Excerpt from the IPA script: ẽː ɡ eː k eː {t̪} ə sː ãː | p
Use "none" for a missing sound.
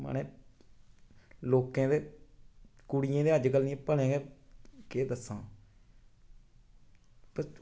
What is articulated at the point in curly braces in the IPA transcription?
d̪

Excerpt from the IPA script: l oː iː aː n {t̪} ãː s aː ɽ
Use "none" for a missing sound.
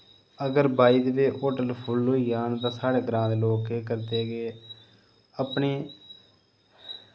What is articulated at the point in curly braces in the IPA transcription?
t̪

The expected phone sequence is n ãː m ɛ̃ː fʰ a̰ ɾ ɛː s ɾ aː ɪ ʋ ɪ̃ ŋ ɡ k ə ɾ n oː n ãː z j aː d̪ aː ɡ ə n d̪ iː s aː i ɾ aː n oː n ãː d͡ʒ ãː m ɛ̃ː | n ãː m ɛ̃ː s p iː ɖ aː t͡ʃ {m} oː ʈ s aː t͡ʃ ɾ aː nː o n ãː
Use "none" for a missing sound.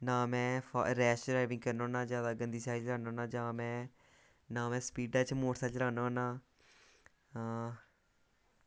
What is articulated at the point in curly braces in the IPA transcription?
m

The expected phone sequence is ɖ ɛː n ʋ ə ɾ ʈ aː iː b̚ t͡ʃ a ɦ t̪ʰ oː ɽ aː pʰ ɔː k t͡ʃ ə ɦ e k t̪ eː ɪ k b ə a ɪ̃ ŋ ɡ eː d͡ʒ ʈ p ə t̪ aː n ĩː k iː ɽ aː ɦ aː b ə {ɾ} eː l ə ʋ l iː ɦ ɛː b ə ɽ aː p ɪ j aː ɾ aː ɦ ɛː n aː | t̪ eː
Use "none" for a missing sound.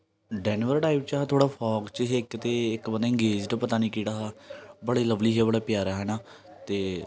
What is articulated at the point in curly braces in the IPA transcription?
ɽ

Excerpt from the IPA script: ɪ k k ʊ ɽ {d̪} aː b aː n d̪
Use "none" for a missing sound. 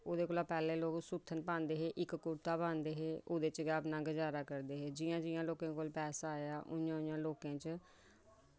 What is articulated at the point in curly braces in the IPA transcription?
t̪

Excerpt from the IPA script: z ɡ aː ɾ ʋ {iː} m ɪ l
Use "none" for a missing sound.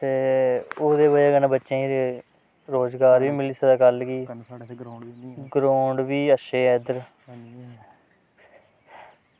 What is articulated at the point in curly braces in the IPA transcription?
iː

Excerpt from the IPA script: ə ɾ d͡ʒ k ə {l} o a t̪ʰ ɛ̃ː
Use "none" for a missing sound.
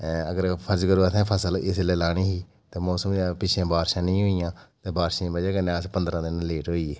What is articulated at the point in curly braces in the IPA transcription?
ɾ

